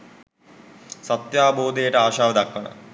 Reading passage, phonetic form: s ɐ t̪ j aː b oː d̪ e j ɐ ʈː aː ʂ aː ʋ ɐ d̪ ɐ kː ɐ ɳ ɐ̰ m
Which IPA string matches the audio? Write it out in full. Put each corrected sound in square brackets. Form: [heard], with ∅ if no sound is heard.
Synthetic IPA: s ɐ t̪ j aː b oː d̪ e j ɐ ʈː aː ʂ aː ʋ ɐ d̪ ɐ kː ɐ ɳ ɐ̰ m